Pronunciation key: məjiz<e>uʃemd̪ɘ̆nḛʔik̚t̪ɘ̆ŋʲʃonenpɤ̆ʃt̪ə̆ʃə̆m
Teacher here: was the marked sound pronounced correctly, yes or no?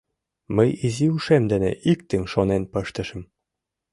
no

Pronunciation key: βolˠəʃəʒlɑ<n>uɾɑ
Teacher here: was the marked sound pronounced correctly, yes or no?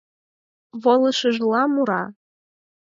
no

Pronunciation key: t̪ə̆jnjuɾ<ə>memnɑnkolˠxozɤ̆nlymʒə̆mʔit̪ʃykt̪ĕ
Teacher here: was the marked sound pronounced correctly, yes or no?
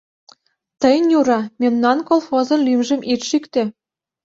no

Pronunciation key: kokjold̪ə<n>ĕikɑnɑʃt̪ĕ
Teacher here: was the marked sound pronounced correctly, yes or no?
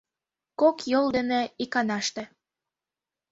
yes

